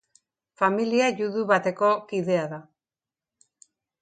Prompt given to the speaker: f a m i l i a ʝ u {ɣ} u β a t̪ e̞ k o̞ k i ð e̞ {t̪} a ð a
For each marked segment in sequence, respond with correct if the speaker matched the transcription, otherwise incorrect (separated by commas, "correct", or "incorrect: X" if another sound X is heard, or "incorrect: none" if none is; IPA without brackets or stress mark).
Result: incorrect: ð, incorrect: none